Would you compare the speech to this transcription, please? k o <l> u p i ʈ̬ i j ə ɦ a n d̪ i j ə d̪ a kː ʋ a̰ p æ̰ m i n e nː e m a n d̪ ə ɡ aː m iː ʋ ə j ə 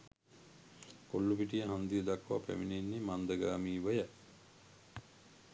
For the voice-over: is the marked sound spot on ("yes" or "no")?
no